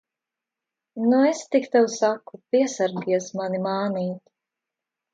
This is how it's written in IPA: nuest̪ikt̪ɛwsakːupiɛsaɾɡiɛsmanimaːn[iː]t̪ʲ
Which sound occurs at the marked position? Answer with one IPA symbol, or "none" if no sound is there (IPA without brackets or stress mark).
iː